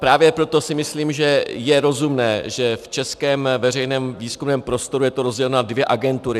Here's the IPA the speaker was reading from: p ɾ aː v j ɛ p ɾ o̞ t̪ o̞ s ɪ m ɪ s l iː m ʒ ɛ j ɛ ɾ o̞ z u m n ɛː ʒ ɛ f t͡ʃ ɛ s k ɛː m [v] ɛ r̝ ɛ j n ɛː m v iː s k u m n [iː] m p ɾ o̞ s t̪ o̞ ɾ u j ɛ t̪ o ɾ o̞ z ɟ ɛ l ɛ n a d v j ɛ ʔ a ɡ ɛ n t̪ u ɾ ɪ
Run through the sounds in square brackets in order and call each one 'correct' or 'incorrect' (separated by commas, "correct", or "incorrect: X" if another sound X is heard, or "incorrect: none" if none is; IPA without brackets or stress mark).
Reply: correct, incorrect: ɛː